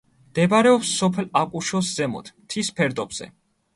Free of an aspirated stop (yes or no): no